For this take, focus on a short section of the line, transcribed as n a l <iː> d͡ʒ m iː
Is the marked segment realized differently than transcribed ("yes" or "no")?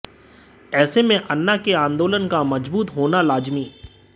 yes